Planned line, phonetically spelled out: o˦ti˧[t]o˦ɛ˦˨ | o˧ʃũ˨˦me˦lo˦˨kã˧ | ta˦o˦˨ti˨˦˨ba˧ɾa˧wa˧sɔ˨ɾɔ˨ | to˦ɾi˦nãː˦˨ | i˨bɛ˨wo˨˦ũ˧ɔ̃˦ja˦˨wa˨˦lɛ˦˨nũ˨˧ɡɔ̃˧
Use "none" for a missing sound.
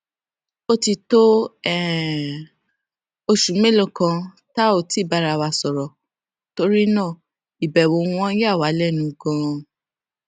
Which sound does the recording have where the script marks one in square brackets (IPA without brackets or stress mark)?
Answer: t